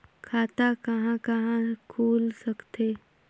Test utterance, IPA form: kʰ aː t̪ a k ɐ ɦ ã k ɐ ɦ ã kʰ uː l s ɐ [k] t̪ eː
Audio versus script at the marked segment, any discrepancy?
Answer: no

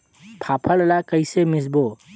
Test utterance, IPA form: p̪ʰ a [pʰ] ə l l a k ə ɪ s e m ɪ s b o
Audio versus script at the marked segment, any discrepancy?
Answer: no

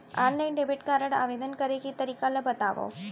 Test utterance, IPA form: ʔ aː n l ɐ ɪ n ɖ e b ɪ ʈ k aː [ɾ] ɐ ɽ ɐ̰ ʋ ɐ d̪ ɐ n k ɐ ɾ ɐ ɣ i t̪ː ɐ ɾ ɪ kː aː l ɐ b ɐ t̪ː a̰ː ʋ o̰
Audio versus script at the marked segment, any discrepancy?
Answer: no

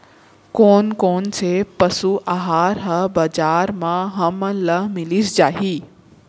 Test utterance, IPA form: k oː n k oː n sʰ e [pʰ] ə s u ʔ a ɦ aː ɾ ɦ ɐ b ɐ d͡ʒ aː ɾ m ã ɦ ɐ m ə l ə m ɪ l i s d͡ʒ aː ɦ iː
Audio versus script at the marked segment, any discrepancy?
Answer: yes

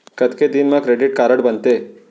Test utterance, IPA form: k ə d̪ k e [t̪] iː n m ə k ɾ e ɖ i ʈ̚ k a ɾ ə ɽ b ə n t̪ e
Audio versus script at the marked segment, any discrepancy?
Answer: yes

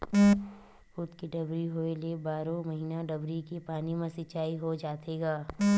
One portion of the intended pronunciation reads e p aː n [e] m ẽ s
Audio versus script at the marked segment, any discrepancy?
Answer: yes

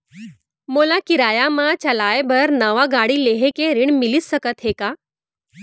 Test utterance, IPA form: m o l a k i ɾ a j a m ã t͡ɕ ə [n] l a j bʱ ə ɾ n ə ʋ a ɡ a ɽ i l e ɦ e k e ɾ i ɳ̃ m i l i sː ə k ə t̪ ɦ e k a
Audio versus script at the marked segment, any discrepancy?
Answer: yes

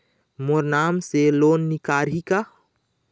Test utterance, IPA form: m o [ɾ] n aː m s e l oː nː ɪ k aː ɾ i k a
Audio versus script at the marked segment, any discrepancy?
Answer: no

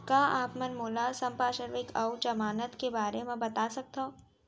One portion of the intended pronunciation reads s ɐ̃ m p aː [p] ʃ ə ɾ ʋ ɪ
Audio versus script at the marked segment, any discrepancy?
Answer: yes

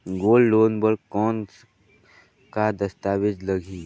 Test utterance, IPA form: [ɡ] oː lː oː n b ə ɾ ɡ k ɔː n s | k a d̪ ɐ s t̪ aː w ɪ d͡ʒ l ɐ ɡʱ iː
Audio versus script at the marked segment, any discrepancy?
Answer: no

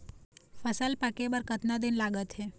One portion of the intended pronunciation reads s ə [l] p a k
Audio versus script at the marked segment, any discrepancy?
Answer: no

